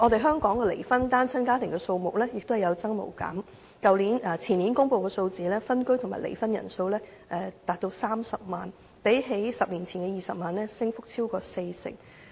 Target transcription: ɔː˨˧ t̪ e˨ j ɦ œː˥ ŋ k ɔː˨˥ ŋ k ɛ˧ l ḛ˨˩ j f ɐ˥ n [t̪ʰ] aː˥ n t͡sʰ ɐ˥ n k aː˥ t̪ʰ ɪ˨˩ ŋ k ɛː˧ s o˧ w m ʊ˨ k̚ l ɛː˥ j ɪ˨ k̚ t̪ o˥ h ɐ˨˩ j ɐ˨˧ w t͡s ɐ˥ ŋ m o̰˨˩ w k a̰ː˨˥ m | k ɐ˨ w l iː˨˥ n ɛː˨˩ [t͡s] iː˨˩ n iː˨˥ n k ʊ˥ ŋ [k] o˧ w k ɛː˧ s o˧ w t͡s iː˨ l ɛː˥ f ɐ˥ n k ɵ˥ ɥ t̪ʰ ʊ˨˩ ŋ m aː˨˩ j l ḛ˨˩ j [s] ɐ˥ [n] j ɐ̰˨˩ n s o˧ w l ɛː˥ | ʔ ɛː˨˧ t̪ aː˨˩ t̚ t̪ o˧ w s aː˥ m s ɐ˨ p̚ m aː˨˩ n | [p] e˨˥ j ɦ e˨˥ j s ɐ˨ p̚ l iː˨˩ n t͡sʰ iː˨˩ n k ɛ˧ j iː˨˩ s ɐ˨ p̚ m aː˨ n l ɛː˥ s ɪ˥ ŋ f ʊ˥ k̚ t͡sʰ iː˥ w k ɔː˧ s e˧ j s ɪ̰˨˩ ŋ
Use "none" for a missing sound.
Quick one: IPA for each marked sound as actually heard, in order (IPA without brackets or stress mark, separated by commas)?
t̪, t͡sʰ, p, f, n, p